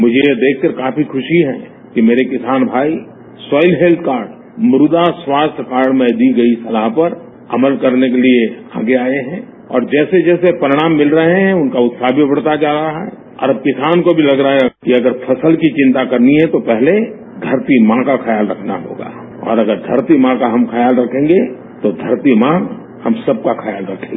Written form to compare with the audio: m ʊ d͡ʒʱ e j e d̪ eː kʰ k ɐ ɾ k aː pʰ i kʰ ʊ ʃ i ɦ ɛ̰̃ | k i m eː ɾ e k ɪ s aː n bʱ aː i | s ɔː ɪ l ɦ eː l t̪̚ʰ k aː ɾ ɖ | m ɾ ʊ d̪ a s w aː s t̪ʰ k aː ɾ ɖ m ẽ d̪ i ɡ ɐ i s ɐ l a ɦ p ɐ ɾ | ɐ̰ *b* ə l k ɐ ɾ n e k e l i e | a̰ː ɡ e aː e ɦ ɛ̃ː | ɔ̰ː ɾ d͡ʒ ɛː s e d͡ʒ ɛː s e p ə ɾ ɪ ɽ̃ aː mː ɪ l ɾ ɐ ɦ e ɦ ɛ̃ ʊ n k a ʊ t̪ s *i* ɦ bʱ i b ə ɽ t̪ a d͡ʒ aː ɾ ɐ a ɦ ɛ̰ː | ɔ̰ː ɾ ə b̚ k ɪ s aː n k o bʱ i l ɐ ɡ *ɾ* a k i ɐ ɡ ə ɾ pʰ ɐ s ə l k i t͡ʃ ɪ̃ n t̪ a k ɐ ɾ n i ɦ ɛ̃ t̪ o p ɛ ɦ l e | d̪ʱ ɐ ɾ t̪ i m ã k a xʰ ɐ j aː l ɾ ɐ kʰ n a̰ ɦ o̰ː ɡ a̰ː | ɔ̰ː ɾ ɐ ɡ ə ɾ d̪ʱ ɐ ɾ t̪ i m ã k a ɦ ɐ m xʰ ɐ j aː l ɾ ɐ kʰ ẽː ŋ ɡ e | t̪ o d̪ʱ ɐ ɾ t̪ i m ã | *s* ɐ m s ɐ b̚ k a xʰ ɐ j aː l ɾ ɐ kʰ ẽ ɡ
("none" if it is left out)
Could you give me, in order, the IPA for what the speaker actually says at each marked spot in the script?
m, a, ɾ, h

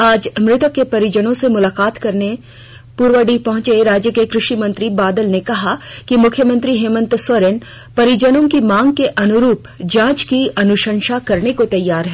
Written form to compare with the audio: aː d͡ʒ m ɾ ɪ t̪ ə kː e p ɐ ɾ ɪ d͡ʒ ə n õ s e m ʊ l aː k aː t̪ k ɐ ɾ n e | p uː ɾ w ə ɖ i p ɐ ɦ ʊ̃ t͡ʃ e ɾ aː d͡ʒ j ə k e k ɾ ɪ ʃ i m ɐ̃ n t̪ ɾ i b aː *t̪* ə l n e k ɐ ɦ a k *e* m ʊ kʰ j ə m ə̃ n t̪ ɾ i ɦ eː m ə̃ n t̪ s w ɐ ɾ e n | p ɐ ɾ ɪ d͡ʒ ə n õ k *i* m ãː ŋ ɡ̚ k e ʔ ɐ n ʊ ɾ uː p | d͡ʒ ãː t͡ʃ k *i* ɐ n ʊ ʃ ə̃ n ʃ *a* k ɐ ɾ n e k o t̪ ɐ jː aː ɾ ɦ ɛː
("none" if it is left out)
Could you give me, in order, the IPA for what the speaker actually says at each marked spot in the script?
d̪, i, i, i, a

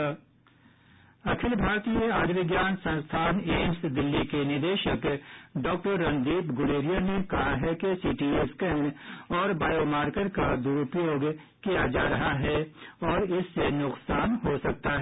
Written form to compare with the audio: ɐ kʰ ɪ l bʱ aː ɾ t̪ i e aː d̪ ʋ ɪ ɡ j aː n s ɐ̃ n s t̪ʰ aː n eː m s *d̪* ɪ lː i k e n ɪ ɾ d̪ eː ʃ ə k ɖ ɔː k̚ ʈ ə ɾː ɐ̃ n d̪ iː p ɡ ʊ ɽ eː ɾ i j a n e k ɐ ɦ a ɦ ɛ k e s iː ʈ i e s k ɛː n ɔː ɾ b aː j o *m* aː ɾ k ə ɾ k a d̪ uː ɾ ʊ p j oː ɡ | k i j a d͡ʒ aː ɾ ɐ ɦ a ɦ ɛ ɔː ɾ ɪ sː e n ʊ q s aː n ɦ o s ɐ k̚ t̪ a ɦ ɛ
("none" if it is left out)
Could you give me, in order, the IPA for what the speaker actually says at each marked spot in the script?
d̪, m

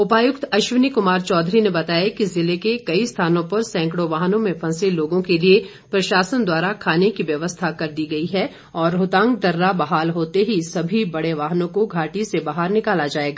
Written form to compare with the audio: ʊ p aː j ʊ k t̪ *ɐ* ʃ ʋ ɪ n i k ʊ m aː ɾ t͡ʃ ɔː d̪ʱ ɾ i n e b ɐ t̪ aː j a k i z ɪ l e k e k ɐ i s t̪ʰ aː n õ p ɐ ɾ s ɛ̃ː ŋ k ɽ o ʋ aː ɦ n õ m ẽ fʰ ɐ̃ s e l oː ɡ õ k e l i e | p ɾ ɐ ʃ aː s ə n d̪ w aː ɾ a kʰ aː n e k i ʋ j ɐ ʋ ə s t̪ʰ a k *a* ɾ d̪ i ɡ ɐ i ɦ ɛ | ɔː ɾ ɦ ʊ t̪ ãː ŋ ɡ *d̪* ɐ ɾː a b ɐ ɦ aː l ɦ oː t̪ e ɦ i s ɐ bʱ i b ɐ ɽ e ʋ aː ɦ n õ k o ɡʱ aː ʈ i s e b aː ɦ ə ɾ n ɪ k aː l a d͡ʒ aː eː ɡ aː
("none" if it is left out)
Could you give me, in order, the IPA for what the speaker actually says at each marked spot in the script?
ɐ, ɐ, d̪

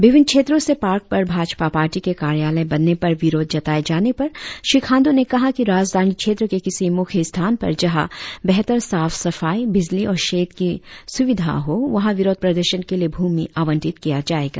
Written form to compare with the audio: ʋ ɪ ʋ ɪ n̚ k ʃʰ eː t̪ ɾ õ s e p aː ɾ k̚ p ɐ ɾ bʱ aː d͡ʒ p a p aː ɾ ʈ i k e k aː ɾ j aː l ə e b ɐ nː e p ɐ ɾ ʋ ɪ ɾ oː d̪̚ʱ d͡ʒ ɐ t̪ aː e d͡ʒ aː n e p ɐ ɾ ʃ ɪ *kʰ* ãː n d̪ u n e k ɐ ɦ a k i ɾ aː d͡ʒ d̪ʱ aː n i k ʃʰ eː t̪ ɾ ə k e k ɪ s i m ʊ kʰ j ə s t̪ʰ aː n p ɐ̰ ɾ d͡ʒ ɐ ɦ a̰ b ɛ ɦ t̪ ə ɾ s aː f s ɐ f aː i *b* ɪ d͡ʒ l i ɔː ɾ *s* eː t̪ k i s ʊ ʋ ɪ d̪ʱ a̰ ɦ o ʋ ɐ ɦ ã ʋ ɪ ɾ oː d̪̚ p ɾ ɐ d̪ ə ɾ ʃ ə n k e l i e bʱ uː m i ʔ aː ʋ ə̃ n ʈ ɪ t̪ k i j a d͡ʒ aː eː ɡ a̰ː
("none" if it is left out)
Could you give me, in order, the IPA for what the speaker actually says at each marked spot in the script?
kʰ, b, ʃ

